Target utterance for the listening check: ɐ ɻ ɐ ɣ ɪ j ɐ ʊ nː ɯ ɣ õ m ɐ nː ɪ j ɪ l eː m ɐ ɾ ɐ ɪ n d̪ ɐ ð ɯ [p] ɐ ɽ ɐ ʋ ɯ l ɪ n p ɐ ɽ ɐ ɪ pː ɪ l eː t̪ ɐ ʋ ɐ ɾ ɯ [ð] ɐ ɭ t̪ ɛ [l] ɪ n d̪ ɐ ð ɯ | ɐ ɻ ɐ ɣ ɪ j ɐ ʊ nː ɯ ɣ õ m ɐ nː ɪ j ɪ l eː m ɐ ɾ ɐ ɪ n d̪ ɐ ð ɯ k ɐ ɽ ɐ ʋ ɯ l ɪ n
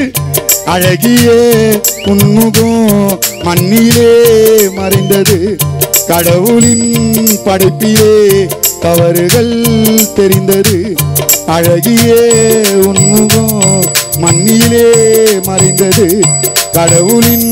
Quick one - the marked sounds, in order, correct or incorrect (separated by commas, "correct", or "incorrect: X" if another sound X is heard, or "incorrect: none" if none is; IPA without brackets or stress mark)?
incorrect: k, incorrect: ɣ, incorrect: ɾ